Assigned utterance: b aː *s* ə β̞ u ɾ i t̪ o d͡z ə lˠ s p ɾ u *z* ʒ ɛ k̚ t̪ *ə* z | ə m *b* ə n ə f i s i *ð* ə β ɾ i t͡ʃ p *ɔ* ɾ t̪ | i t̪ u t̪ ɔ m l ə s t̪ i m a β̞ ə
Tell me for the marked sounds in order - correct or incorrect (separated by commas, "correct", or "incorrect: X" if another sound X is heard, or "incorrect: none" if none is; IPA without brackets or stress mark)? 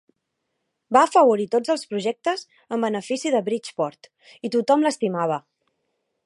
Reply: incorrect: f, incorrect: none, correct, correct, correct, correct